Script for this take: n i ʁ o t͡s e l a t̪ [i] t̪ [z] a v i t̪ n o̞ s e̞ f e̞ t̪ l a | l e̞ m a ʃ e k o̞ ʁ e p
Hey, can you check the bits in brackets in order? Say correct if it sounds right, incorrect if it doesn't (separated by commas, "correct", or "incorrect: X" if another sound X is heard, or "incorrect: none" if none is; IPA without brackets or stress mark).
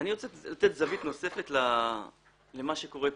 incorrect: e, correct